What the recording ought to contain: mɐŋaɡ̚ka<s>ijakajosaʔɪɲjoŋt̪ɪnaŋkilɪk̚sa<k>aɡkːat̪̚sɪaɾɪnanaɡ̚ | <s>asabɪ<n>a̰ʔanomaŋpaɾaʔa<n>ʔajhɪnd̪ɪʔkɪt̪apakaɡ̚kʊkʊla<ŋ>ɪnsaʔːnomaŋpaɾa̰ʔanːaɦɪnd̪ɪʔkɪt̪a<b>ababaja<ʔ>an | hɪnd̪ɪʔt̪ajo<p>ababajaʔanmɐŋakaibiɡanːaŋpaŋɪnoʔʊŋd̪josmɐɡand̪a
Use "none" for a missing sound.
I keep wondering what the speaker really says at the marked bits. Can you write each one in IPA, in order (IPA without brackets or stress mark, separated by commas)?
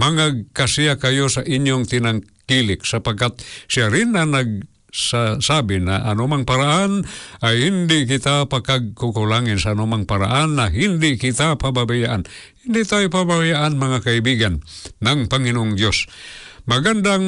s, p, s, n, n, ŋ, p, ʔ, p